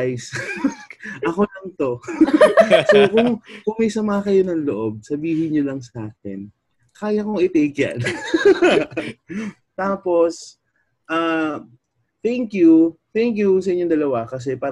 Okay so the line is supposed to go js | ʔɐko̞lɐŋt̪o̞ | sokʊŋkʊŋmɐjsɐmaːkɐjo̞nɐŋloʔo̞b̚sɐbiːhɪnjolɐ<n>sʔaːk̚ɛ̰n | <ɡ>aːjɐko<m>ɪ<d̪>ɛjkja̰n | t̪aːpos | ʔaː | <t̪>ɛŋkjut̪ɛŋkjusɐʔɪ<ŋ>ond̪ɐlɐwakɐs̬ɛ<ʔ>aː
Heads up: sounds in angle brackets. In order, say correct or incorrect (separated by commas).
incorrect, incorrect, incorrect, incorrect, correct, incorrect, incorrect